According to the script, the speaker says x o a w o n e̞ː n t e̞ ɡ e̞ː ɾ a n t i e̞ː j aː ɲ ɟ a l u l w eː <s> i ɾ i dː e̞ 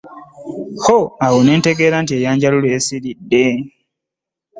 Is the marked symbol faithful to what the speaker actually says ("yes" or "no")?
yes